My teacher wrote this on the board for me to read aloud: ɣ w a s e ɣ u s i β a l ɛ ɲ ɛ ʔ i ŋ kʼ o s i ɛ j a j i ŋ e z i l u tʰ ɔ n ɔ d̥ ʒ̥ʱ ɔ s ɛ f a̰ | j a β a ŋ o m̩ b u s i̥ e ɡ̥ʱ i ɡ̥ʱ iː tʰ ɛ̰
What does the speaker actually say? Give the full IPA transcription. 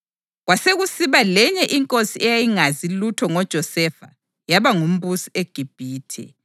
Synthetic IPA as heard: ɣ w a s e ɣ u s i β a l ɛ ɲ ɛ ʔ i ŋ kʼ o s i ɛ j a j i ŋ a z i l u tʰ ɔ ŋ ɔ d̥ ʒ̥ʱ ɔ s ɛ f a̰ | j a β a ŋ u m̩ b u s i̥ e ɡ̥ʱ i b̥ʱ iː tʰ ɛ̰